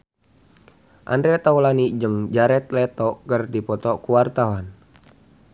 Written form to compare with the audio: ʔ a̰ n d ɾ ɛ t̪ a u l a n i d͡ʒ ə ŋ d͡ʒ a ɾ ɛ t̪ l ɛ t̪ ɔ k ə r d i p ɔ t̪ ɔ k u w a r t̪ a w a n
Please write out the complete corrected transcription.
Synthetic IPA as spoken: ʔ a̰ n d ɾ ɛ t̪ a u l a n i d͡ʒ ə ŋ d͡ʒ a ɾ ɛ t̪ l ɛ t̪ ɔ k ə r d i p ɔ t̪ ɔ k u w a r t̪ a w a n